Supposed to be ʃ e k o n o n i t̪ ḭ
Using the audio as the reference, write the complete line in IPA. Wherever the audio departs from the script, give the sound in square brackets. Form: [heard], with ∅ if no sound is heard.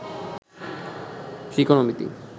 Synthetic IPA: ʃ [i] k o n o [m] i t̪ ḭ